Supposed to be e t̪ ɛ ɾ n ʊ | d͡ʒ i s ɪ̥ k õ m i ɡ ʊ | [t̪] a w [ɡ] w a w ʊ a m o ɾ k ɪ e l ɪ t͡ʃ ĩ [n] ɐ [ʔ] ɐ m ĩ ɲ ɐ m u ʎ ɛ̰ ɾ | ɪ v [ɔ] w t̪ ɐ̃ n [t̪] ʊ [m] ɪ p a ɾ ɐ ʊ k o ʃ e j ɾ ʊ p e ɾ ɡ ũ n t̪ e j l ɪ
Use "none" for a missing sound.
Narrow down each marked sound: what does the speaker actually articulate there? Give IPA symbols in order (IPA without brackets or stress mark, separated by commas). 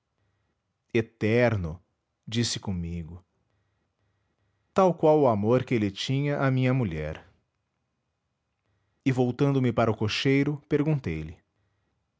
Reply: t̪, k, ɲ, ʔ, o, d̪, m